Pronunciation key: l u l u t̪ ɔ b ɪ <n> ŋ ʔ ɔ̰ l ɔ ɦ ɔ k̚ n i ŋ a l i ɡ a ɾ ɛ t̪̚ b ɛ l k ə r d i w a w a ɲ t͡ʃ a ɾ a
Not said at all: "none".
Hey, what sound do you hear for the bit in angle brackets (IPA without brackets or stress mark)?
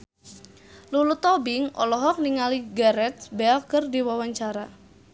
none